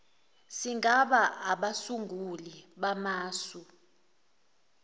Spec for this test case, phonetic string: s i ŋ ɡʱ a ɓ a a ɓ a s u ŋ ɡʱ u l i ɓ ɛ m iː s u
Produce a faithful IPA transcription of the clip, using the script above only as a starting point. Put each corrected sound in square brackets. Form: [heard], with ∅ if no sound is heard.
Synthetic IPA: s i ŋ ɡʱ a ɓ a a ɓ a s u ŋ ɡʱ u l i ɓ [a] m [aː] s u